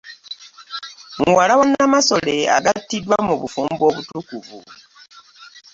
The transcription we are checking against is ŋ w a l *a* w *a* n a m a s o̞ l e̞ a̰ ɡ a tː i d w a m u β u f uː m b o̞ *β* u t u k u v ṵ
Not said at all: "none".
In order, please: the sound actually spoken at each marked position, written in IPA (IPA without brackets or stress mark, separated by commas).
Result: a, a, β